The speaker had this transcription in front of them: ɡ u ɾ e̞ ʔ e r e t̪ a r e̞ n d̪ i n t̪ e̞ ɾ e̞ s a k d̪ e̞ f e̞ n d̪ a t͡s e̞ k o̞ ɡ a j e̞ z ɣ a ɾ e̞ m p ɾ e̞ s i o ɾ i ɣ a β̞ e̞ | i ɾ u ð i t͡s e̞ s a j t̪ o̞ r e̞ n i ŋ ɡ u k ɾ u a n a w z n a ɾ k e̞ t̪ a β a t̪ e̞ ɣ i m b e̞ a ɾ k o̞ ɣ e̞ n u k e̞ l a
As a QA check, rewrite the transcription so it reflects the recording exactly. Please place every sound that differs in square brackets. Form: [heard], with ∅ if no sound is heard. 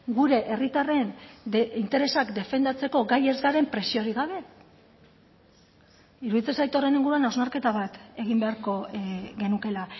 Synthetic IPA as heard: ɡ u ɾ e̞ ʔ e r [i] t̪ a r e̞ n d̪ i n t̪ e̞ ɾ e̞ s a k d̪ e̞ f e̞ n d̪ a t͡s e̞ k o̞ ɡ a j e̞ z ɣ a ɾ e̞ m p ɾ e̞ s i o ɾ i ɣ a β̞ e̞ | i ɾ u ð i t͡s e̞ s a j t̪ o̞ r e̞ n i ŋ ɡ u [∅] ɾ u a n a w z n a ɾ k e̞ t̪ a β a t̪ e̞ ɣ i m b e̞ a ɾ k o̞ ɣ e̞ n u k e̞ l a